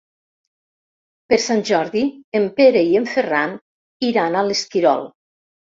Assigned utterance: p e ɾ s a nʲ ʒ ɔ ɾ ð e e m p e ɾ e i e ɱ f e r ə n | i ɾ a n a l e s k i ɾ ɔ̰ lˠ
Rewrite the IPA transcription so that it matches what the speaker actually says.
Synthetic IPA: p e ɾ s a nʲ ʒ ɔ ɾ ð i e m p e ɾ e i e ɱ f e r a n | i ɾ a n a l e s k i ɾ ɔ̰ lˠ